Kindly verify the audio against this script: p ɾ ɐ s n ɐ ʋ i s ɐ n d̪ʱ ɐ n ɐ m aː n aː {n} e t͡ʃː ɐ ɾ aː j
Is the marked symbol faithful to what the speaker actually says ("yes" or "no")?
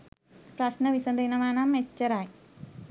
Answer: no